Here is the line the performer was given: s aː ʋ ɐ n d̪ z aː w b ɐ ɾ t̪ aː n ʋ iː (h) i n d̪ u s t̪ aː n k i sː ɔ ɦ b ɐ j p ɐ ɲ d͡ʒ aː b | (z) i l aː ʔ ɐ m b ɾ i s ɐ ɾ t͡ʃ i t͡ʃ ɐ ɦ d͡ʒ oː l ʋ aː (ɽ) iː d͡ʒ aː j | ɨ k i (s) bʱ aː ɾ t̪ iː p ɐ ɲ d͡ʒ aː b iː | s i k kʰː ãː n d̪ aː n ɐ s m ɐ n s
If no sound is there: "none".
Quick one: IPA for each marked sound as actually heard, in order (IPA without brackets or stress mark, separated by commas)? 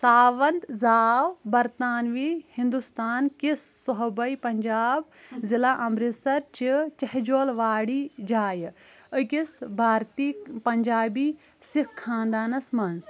h, z, ɽ, s